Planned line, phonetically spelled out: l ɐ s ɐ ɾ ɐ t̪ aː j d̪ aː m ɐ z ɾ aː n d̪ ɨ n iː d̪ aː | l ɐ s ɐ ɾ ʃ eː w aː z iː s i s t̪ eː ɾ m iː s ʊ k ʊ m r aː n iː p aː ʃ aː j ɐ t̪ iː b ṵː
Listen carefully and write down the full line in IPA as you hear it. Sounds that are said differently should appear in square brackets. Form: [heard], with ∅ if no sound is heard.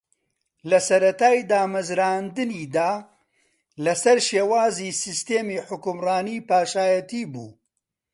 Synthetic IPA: l ɐ s ɐ ɾ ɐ t̪ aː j d̪ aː m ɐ z ɾ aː n d̪ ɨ n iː d̪ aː | l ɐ s ɐ ɾ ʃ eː w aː z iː s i s t̪ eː [∅] m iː [ħ] ʊ k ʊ m r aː n iː p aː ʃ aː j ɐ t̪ iː b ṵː